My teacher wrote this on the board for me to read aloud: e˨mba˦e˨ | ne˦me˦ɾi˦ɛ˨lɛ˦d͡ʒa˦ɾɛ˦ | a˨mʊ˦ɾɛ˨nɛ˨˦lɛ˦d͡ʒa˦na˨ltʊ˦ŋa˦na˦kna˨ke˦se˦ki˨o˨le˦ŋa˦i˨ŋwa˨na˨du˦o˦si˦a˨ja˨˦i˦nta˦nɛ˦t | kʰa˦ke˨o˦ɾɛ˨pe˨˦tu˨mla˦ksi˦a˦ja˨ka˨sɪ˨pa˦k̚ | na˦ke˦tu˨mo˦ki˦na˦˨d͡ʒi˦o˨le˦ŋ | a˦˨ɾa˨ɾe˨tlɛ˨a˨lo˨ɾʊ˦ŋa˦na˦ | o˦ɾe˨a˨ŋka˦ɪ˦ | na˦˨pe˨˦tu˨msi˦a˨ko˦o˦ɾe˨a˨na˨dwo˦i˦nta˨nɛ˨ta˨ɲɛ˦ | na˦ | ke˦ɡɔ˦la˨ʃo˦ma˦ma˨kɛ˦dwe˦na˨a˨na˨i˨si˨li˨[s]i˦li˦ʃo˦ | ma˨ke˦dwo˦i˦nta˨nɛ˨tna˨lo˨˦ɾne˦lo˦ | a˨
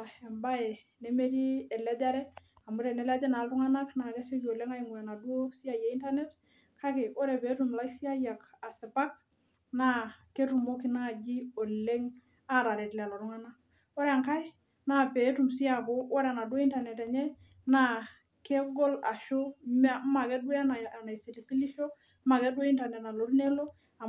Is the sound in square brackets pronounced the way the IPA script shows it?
yes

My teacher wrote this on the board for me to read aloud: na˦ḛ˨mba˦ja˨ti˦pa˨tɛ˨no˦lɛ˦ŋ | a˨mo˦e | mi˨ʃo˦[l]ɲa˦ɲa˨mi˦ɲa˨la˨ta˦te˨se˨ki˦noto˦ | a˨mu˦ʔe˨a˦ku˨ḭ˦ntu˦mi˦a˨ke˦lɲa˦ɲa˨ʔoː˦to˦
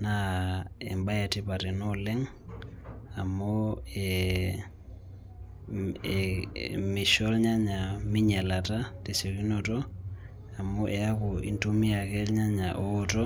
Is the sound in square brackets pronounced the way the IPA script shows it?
yes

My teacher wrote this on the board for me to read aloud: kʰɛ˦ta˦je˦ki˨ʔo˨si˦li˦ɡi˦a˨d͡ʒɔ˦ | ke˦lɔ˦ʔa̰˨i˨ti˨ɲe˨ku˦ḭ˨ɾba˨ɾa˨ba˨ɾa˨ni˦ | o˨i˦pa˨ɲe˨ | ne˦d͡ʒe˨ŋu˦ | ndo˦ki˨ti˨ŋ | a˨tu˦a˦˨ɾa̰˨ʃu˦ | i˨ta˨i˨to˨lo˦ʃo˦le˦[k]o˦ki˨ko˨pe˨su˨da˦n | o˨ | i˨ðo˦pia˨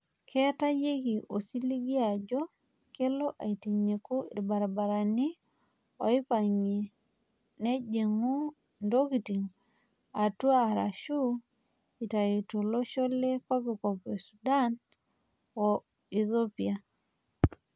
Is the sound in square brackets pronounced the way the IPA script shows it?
yes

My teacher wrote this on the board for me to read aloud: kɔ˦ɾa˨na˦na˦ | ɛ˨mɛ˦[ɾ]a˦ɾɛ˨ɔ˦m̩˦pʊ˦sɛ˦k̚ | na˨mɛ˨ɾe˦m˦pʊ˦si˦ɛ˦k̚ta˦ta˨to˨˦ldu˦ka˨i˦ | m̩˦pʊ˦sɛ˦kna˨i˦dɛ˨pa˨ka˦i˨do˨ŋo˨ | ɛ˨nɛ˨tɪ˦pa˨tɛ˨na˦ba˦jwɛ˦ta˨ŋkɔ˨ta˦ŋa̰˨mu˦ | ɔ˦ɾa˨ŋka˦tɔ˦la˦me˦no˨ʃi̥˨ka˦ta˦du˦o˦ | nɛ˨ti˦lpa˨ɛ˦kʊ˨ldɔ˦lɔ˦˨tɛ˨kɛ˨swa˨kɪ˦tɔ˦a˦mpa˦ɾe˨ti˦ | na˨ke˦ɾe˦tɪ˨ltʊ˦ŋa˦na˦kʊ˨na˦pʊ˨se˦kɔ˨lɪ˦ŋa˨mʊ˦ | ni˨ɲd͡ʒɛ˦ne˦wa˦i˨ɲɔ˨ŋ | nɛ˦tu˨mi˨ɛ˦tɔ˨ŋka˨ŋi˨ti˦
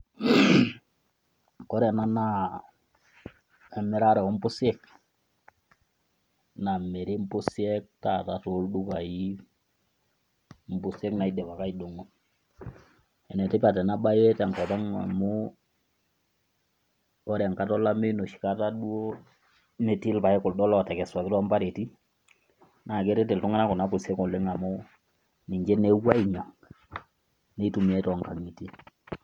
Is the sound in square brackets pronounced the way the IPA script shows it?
yes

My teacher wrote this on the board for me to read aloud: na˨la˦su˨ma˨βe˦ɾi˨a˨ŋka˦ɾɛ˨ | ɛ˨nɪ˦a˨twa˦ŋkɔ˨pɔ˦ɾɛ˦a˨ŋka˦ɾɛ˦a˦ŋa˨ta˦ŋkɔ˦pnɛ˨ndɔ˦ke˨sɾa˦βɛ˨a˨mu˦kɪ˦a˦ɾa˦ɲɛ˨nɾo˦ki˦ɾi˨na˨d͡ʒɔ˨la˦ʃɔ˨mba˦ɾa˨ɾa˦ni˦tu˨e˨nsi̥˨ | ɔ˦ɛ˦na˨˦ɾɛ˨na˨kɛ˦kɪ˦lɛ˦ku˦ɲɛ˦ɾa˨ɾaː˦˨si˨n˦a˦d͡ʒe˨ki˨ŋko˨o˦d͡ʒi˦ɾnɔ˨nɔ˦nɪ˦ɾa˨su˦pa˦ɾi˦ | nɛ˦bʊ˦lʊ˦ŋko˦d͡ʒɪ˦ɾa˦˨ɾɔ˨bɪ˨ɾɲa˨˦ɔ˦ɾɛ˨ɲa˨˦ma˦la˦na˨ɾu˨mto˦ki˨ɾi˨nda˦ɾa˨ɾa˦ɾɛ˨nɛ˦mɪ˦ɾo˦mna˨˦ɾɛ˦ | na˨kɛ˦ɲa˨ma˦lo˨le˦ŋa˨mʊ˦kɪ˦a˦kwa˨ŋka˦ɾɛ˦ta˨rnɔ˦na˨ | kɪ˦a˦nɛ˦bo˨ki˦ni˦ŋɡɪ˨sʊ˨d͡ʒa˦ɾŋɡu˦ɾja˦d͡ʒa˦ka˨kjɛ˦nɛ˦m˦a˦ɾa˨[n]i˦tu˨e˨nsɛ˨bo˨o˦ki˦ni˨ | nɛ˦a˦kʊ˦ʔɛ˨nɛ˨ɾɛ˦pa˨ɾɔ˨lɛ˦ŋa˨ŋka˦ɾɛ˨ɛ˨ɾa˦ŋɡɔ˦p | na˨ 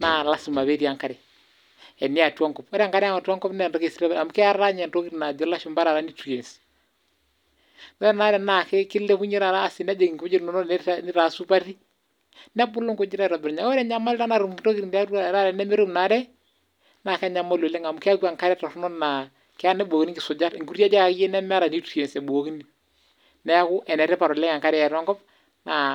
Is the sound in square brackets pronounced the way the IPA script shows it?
yes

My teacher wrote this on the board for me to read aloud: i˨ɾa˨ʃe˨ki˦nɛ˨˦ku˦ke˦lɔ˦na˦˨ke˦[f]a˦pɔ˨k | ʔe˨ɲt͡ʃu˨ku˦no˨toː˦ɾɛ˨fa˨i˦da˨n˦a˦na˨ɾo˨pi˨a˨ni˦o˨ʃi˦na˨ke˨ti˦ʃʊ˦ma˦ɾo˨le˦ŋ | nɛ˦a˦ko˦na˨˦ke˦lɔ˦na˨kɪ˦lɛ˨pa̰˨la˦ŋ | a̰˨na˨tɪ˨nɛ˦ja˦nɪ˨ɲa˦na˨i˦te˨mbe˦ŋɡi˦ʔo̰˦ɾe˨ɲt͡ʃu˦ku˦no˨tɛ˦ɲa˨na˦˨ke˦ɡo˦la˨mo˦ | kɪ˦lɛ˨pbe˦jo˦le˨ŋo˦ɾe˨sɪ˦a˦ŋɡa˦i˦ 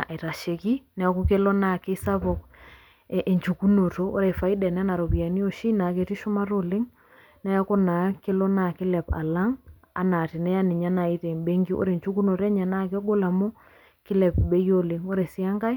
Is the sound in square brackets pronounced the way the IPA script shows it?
no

